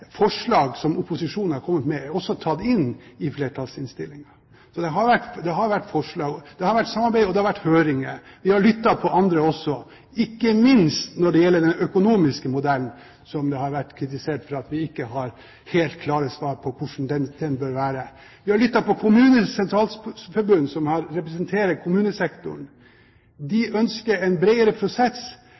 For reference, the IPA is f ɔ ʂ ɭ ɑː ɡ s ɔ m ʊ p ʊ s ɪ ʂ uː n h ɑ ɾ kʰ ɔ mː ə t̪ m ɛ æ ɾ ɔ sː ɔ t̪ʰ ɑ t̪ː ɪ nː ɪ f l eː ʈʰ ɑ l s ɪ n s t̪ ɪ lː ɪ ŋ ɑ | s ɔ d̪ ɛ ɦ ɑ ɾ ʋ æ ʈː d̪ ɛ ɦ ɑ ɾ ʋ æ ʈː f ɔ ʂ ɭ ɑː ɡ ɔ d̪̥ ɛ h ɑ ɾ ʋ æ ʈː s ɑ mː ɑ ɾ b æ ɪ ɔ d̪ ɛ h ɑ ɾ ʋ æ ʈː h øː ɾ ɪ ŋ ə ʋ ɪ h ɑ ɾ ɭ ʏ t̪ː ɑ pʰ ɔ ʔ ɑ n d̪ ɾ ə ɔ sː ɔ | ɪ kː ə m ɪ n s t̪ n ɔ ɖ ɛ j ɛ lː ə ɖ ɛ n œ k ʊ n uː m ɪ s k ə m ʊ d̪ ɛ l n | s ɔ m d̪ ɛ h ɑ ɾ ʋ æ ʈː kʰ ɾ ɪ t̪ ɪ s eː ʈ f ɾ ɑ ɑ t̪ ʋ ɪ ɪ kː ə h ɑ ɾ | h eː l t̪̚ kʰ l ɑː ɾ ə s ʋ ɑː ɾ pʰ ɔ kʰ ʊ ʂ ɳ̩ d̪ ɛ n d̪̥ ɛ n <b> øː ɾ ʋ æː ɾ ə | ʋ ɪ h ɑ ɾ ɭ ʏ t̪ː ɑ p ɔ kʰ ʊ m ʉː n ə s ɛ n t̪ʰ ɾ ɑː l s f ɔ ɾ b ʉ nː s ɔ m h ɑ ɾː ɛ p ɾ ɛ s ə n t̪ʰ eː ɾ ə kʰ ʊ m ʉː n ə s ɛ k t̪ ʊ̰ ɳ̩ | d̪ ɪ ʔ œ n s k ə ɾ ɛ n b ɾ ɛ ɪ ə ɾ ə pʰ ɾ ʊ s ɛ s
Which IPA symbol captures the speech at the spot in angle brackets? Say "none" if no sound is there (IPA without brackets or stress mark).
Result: b